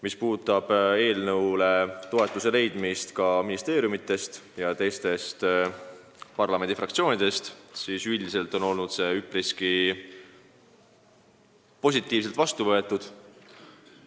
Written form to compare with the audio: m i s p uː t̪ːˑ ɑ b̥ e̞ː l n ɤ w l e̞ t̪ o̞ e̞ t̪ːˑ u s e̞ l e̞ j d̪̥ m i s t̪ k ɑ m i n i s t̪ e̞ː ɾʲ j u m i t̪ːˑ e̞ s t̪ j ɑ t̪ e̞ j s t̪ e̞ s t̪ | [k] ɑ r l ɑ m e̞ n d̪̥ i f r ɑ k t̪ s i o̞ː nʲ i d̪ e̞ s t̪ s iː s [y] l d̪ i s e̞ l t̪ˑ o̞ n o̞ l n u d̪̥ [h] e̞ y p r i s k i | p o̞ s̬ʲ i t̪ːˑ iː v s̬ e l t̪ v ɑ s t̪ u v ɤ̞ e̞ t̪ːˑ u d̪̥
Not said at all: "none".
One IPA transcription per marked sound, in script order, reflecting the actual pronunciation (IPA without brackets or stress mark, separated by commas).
p, y, s